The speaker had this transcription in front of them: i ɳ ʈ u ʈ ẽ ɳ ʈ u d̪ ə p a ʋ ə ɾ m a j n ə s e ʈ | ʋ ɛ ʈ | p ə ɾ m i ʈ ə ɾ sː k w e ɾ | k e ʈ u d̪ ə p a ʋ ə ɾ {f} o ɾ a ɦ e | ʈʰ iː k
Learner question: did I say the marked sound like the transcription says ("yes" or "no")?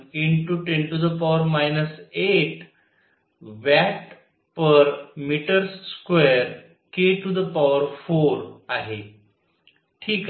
yes